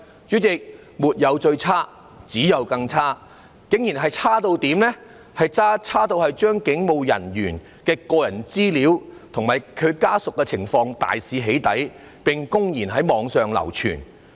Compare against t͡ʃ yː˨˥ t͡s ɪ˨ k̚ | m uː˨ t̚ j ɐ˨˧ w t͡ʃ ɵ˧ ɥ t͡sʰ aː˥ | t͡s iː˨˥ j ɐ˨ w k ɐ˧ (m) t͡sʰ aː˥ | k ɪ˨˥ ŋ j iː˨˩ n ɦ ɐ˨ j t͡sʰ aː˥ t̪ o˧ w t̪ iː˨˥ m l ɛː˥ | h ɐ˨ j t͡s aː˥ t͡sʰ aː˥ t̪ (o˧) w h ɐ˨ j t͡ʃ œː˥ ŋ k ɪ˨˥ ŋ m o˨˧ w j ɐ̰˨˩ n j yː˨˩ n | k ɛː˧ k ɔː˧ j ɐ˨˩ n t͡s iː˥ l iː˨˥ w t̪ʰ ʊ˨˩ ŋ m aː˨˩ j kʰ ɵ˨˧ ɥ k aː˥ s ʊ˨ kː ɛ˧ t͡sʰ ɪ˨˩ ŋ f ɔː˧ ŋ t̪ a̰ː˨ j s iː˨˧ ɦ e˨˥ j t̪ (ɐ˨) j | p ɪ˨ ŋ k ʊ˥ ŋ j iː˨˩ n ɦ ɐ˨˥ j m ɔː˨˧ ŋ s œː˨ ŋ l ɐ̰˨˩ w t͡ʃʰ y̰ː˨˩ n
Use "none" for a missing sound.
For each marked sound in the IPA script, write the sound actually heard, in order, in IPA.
ŋ, o˧, ɐ˨˥

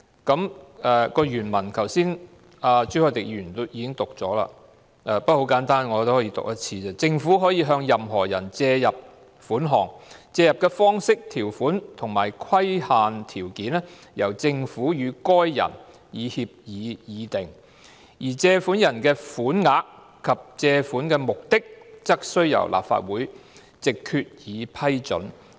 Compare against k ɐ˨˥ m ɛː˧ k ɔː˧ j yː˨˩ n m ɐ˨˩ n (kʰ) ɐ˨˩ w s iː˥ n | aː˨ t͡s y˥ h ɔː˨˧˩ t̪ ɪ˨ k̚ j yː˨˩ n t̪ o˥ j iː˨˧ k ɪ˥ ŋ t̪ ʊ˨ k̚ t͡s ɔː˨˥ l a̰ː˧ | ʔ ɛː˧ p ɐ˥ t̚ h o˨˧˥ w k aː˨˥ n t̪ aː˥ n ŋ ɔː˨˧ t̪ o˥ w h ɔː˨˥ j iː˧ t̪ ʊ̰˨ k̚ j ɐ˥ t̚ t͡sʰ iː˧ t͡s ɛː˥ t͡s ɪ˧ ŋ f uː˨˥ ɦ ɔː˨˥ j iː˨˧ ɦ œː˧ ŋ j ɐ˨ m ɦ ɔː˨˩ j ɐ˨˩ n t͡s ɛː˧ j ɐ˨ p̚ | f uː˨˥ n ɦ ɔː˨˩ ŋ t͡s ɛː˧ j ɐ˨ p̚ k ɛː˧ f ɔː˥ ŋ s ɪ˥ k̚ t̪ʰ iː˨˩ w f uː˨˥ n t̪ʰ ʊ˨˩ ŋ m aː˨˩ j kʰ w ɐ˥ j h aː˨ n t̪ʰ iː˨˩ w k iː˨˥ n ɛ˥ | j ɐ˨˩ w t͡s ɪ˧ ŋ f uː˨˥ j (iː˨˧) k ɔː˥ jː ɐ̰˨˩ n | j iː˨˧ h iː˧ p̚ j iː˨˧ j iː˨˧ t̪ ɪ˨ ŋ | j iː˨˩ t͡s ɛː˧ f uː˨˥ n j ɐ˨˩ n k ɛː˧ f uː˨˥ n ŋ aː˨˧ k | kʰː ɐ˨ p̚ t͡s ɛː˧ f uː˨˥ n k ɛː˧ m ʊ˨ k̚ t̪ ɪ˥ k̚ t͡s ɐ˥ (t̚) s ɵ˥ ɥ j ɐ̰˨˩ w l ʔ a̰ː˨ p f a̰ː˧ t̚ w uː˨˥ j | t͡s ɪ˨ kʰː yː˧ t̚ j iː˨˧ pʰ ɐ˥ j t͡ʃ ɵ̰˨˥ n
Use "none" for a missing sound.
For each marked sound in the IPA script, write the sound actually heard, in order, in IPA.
kʰ, yː˨˧, k̚

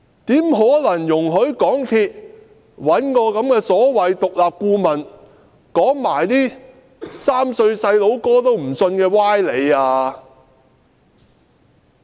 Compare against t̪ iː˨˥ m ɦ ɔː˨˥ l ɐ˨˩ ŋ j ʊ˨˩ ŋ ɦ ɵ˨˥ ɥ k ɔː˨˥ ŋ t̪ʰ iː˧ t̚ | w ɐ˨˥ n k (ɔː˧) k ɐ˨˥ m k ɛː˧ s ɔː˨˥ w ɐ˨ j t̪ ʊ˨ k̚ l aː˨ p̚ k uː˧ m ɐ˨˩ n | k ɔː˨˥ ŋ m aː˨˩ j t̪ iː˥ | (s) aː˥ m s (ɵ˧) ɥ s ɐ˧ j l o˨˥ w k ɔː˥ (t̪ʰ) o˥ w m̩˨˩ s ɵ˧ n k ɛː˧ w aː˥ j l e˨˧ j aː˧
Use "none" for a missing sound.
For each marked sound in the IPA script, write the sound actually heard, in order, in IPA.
ɔː˧, s, ɵ˧, t̪

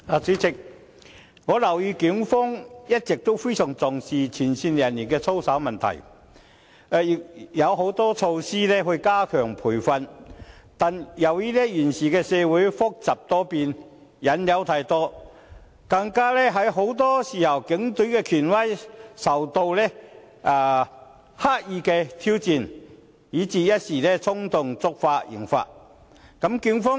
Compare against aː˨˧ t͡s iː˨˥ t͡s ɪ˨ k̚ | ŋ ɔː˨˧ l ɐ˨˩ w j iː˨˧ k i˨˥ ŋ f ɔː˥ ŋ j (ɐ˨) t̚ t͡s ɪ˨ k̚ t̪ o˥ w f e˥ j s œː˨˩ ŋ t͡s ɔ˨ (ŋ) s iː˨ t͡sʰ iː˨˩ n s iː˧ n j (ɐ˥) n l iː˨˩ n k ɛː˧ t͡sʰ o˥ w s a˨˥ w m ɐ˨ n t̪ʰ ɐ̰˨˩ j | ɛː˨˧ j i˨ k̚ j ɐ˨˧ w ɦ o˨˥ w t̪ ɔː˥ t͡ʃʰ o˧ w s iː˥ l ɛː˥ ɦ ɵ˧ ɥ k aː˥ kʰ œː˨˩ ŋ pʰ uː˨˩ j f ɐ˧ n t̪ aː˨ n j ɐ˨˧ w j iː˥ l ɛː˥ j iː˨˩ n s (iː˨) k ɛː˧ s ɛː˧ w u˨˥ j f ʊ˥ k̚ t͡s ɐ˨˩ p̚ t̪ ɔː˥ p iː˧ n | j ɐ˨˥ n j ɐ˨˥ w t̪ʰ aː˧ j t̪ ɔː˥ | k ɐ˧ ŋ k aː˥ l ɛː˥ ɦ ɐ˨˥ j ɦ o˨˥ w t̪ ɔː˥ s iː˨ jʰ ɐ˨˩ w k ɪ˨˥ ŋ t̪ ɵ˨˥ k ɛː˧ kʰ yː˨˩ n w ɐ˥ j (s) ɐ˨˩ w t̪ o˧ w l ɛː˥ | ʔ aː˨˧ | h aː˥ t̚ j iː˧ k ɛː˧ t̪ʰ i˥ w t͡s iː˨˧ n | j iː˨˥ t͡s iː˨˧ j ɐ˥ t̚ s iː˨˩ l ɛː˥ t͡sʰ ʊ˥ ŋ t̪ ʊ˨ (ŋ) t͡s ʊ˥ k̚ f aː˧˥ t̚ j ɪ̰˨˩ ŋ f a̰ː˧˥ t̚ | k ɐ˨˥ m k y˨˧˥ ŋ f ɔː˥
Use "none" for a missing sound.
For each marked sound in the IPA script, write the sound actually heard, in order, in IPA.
ɐ˥, ŋ, ɐ˨˩, iː˨, s, ŋ

